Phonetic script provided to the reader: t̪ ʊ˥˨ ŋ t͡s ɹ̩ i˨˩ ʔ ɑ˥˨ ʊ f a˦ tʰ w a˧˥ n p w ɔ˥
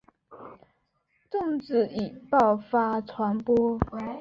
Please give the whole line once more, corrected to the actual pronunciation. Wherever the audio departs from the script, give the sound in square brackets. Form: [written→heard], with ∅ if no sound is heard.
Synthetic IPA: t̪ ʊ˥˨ ŋ t͡s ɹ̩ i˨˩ [ʔ→p] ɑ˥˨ ʊ f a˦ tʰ w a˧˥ n p w ɔ˥

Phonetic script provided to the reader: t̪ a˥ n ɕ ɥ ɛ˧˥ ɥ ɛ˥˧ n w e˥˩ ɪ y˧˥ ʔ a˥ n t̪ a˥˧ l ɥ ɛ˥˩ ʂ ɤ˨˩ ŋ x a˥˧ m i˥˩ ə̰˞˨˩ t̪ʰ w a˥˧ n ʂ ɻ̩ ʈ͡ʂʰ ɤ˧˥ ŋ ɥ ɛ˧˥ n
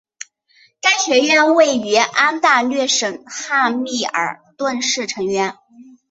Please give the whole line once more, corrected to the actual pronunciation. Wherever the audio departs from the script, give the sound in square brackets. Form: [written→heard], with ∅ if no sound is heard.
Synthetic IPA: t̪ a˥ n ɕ ɥ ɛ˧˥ ɥ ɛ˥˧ n w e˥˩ ɪ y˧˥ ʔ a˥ n t̪ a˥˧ l ɥ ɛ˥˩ ʂ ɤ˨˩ ŋ x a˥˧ m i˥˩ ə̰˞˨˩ [t̪ʰ→t̪] w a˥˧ n ʂ ɻ̩ ʈ͡ʂʰ ɤ˧˥ ŋ ɥ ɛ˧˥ n

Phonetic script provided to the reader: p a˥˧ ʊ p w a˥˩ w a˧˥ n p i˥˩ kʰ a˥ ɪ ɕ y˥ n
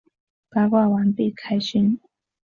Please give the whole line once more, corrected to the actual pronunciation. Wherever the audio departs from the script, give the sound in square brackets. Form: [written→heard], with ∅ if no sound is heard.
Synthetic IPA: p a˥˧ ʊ [p→k] w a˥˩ w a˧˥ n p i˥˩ kʰ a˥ ɪ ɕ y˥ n

